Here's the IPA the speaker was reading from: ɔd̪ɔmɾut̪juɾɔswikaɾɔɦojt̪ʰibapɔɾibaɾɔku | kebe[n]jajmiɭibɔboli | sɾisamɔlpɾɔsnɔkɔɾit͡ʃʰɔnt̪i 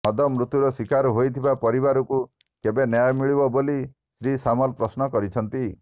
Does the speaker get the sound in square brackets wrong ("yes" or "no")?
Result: no